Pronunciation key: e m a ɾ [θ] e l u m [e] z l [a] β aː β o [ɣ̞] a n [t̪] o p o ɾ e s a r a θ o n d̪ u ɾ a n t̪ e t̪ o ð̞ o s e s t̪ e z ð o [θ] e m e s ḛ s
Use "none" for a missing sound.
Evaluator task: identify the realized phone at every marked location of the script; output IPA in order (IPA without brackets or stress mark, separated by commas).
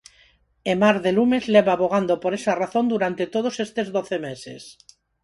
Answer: ð, e, e, ɣ̞, d̪, θ